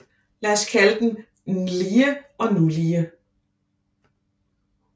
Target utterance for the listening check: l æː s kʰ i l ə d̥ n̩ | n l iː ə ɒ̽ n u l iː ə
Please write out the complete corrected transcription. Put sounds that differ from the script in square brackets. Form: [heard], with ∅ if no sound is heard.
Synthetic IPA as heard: l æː s kʰ [æ] l ə d̥ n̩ | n l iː ə ɒ̽ n u l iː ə